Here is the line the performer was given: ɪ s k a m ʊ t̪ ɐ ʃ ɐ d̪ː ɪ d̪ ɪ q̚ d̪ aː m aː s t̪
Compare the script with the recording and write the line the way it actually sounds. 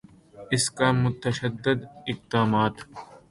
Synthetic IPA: ɪ s k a m ʊ t̪ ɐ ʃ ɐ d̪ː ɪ d̪ ɪ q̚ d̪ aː m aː t̪